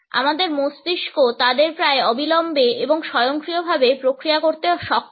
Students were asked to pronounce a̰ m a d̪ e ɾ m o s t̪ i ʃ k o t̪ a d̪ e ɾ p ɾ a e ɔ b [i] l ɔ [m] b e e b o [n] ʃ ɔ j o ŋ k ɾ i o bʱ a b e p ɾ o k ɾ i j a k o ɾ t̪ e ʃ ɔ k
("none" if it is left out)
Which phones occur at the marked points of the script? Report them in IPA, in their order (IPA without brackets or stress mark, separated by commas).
i, m, ŋ